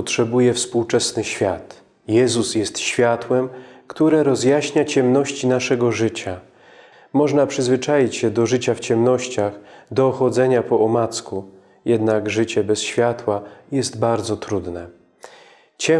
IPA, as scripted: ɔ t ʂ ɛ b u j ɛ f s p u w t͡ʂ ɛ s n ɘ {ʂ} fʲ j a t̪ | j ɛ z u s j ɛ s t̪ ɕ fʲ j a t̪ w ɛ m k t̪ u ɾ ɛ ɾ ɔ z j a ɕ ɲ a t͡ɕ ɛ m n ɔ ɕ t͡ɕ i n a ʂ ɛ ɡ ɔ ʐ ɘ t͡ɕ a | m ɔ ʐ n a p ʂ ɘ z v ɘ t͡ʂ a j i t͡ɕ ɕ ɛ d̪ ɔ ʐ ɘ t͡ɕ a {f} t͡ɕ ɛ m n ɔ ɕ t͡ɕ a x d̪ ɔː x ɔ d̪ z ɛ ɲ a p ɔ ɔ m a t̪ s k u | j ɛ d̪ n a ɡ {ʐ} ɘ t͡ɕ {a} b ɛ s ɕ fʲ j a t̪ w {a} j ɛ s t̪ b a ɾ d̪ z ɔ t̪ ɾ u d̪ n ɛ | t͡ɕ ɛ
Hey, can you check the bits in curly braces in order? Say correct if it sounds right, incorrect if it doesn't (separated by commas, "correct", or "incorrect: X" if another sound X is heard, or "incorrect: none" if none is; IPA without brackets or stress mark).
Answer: incorrect: ɕ, correct, correct, incorrect: ɛ, correct